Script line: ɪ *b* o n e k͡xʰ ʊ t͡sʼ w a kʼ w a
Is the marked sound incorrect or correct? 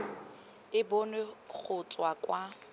correct